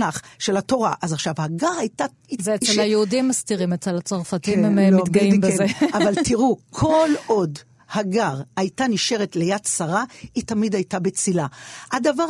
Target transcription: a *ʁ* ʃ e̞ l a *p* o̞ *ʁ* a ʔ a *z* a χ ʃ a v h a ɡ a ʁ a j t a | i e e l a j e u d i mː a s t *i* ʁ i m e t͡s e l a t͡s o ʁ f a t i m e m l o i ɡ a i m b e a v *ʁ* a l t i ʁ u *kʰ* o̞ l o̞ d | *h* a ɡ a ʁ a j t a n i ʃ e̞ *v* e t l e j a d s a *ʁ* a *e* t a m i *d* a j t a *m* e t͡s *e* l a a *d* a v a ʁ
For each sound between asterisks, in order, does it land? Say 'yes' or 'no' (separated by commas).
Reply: no, no, yes, yes, yes, no, yes, yes, no, yes, no, yes, no, no, yes